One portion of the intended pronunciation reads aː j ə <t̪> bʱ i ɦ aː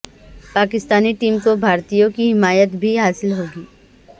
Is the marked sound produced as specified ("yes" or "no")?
yes